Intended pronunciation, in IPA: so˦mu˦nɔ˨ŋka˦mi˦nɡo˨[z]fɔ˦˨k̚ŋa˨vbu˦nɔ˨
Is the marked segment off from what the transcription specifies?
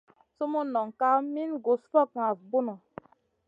yes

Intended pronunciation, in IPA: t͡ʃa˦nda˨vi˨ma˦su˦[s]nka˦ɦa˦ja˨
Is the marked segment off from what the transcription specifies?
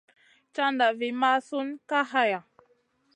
yes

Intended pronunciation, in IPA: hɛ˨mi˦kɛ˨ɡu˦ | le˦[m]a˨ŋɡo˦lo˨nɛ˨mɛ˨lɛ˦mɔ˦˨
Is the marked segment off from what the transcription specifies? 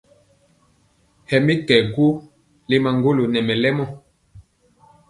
no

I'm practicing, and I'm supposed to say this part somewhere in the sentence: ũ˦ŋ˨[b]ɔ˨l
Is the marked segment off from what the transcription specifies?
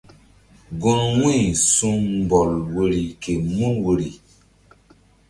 no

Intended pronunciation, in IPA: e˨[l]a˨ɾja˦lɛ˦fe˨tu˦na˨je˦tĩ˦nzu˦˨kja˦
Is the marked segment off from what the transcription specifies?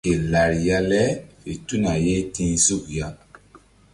no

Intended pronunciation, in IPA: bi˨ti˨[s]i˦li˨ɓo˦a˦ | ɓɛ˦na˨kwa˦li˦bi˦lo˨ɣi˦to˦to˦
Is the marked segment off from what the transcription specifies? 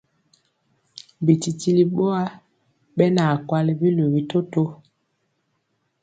yes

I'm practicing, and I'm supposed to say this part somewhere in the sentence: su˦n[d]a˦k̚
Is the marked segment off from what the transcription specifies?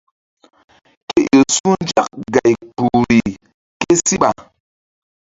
yes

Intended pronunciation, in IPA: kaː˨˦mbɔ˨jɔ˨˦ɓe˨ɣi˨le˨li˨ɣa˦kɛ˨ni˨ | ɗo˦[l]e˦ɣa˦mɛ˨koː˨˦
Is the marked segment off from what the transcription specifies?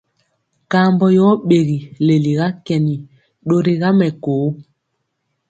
yes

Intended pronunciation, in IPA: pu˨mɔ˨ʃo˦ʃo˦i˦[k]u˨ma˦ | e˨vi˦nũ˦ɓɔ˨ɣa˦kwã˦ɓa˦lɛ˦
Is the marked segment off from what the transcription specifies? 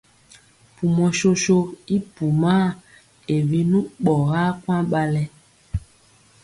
yes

